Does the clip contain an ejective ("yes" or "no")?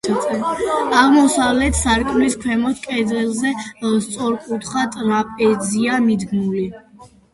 yes